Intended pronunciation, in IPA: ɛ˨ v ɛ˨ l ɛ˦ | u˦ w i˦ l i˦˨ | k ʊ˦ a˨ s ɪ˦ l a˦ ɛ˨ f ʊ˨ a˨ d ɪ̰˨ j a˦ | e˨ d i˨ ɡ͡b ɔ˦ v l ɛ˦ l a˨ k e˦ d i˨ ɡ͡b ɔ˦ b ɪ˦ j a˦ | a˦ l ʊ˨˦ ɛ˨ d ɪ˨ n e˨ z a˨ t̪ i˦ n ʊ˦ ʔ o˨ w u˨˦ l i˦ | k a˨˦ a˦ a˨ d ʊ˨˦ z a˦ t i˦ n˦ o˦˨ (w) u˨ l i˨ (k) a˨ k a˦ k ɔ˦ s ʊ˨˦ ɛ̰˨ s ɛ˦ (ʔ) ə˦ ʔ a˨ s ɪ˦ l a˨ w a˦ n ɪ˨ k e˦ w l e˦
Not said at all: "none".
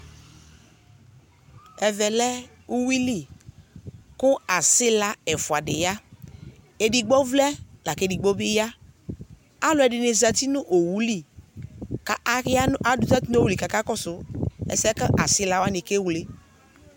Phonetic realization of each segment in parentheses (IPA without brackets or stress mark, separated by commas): w, k, k